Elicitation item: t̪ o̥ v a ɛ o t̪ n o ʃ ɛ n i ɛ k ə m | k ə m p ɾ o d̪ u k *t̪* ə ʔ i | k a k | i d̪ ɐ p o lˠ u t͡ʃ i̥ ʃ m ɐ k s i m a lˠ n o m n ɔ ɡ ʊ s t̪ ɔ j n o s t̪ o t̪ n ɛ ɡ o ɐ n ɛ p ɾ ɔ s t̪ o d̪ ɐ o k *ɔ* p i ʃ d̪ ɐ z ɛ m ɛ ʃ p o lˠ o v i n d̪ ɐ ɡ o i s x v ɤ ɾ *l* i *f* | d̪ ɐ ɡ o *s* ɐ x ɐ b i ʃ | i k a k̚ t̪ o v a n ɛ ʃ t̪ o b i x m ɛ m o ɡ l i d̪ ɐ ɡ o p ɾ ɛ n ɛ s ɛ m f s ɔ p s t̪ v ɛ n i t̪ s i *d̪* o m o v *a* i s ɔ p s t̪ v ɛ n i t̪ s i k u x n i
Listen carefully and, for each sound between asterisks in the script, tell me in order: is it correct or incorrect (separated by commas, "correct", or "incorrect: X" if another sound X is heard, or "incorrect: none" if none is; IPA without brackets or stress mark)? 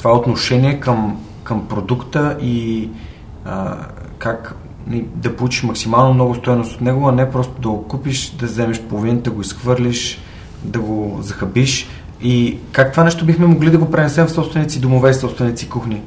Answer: correct, incorrect: u, correct, incorrect: ʃ, incorrect: z, correct, incorrect: ɛ